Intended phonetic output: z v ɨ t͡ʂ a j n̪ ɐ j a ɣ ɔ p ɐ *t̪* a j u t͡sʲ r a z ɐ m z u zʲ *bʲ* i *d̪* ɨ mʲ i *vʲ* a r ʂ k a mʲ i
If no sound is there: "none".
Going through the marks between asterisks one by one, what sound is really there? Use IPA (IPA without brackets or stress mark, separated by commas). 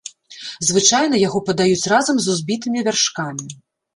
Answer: d̪, bʲ, t̪, vʲ